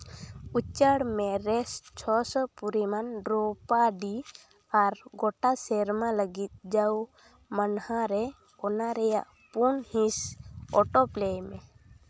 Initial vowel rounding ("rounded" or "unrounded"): rounded